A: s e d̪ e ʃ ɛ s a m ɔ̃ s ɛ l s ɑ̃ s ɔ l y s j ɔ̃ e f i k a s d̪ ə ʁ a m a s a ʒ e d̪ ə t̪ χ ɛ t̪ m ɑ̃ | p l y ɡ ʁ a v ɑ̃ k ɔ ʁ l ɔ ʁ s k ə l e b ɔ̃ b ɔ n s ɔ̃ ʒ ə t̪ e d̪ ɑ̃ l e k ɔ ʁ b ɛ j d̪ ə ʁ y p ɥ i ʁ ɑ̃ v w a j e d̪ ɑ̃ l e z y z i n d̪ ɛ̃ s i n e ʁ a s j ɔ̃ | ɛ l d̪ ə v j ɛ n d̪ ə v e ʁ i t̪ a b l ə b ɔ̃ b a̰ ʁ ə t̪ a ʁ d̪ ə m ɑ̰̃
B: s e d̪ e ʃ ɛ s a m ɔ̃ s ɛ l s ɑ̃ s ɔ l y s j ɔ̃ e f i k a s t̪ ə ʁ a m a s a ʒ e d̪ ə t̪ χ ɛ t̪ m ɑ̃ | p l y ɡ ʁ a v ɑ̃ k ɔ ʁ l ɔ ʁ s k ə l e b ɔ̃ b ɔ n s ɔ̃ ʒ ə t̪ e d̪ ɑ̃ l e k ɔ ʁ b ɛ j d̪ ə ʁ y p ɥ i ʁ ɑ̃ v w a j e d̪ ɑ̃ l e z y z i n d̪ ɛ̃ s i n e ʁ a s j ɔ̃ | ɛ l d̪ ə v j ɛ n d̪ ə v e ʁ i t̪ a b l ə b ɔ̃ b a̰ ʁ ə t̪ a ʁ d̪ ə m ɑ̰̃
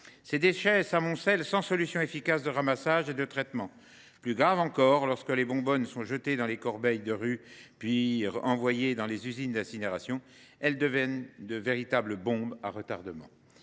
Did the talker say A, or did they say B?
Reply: A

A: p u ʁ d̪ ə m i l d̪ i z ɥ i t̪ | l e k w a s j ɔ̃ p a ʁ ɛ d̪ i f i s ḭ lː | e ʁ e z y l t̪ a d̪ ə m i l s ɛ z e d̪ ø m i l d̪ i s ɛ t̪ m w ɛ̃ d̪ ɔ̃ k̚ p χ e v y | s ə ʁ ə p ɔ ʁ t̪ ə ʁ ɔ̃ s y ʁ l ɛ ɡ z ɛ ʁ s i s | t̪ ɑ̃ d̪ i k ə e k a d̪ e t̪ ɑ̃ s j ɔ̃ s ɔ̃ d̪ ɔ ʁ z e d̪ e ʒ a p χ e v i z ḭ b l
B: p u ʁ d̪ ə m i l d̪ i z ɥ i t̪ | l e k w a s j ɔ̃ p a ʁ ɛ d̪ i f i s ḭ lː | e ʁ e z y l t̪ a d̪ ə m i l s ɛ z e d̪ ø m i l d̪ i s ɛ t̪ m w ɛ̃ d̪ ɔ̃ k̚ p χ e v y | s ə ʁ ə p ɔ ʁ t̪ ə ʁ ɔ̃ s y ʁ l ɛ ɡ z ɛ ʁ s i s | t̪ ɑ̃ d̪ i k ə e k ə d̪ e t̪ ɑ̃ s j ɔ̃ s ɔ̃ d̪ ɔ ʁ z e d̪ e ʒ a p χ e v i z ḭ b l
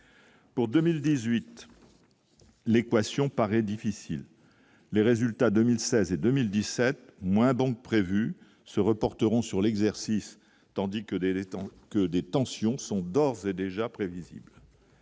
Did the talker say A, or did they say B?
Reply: B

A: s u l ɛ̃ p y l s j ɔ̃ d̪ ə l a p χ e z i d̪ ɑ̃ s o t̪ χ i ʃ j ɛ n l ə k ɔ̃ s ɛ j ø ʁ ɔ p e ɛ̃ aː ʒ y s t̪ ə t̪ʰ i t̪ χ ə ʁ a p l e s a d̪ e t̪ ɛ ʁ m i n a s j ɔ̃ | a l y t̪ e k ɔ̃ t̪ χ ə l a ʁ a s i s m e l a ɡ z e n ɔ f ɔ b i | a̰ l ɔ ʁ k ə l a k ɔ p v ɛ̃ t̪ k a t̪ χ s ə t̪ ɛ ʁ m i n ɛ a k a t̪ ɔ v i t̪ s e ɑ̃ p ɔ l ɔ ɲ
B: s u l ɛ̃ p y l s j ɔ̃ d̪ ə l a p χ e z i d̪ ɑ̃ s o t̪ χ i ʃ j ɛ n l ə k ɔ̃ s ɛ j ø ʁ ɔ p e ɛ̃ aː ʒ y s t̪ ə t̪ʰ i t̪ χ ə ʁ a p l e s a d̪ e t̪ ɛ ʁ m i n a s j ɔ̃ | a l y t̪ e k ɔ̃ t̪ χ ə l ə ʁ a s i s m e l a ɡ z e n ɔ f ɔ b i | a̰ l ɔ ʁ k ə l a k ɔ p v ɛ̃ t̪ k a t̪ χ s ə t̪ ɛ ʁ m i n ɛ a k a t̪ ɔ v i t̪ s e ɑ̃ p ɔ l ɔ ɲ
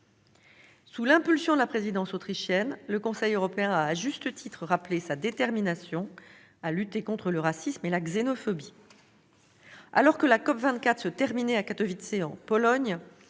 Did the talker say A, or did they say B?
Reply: B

